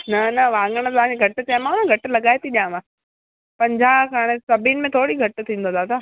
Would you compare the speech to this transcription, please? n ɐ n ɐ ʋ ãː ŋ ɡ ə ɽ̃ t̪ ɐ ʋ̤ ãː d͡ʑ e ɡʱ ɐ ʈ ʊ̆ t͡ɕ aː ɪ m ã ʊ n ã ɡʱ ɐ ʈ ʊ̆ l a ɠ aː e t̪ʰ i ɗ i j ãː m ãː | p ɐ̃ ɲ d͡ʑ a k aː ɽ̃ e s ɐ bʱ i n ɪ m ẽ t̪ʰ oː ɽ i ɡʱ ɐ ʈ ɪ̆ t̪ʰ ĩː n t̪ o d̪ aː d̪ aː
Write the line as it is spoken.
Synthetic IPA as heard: n ɐ n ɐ ʋ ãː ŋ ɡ ə ɽ̃ t̪ ɐ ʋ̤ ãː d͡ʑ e ɡʱ ɐ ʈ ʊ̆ t͡ɕ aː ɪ m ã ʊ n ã ɡʱ ɐ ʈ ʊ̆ l ɐ ɠ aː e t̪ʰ i ɗ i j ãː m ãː | p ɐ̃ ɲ d͡ʑ a k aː ɽ̃ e s ɐ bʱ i n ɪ m ẽ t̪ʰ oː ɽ i ɡʱ ɐ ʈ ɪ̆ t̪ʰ ĩː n d̪ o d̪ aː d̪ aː